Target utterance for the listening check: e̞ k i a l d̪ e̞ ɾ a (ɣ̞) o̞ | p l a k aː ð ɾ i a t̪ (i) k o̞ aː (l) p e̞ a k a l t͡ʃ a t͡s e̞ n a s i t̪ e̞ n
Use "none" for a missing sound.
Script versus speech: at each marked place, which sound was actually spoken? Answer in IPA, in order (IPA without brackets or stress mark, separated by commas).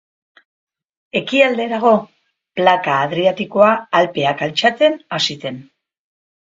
ɣ̞, i, l